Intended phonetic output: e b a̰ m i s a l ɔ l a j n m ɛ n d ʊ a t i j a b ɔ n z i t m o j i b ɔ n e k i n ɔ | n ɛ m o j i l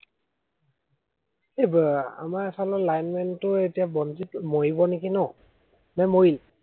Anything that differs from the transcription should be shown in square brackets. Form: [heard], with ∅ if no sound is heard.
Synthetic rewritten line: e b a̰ m [a] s a l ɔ l a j n m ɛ n [t] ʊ [e] t i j a b ɔ n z i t m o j i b ɔ n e k i n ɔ | n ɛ m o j i l